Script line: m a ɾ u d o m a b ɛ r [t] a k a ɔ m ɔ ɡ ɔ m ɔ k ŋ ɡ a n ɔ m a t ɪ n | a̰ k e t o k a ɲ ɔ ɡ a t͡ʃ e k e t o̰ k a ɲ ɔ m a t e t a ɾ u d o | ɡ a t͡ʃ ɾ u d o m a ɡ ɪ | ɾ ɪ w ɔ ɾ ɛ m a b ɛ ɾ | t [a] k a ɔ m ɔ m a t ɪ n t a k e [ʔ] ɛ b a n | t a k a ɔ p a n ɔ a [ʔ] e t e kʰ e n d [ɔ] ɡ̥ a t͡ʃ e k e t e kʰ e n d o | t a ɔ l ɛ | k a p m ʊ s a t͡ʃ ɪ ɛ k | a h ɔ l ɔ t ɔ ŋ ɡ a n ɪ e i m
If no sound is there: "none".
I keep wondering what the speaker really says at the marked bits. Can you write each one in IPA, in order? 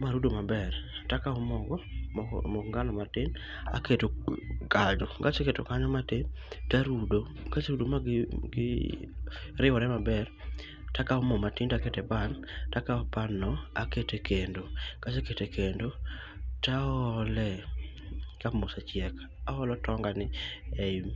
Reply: t, a, t, k, o

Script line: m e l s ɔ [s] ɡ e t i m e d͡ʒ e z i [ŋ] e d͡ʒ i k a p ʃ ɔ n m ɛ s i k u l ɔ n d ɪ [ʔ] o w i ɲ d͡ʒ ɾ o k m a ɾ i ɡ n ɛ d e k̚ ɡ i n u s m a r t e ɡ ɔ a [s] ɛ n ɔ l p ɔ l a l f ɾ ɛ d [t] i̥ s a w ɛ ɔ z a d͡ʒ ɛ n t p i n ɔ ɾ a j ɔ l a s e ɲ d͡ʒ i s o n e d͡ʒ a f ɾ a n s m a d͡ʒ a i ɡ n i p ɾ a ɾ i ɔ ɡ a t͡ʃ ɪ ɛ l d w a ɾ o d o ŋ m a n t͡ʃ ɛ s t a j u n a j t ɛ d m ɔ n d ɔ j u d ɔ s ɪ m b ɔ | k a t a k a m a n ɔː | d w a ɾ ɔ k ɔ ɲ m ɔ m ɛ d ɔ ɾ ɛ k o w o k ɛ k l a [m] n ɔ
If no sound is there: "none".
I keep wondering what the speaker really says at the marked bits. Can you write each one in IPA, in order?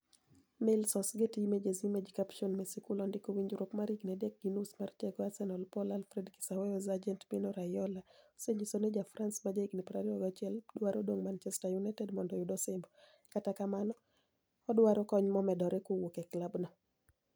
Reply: s, m, k, s, k, b

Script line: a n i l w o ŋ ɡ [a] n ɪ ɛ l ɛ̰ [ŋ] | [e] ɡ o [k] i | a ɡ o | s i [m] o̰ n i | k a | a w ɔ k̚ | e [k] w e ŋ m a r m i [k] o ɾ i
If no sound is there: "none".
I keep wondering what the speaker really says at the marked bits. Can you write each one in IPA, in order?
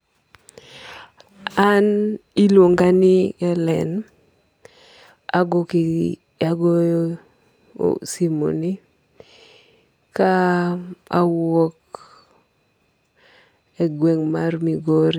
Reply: a, n, a, k, m, ɡ, ɡ

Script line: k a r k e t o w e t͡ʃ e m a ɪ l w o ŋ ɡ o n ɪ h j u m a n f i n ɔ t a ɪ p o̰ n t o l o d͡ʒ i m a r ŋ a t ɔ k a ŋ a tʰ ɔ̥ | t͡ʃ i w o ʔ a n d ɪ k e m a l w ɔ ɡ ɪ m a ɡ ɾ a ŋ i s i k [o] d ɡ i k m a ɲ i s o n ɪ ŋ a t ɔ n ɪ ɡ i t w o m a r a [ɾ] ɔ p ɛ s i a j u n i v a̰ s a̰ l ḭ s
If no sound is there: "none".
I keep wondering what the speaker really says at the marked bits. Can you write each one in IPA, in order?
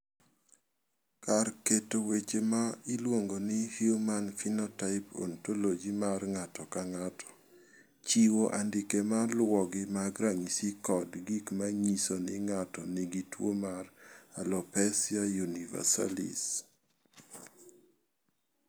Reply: ɔ, l

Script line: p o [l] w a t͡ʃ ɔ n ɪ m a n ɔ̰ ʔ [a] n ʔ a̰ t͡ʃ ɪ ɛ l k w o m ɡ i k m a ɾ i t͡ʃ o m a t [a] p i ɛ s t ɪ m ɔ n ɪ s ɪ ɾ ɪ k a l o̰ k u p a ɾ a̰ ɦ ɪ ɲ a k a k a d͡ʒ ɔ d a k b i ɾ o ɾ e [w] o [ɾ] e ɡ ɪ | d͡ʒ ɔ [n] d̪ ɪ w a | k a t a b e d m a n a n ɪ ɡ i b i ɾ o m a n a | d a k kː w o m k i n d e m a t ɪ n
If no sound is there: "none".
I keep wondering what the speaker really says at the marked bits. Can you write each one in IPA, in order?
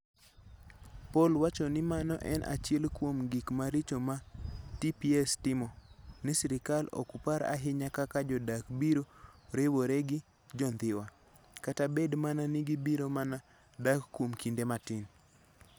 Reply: l, ɛ, i, w, ɾ, n

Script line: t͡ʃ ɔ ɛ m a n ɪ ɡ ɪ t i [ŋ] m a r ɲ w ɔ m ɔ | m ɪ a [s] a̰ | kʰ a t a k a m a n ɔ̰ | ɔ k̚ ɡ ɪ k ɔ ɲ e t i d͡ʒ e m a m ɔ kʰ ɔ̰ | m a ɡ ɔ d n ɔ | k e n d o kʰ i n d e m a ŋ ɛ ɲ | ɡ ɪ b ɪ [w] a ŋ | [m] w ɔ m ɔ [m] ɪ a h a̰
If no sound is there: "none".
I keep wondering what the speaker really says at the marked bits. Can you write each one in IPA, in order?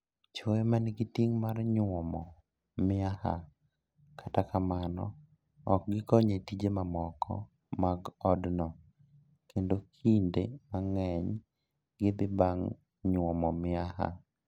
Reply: ŋ, h, b, ɲ, m

